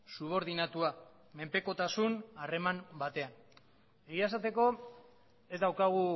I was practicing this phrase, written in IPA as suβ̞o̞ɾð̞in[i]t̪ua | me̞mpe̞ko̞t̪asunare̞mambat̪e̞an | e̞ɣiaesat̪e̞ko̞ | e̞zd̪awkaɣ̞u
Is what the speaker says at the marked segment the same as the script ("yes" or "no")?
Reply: no